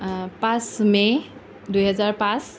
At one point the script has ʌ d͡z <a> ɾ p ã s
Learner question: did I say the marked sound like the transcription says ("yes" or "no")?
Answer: yes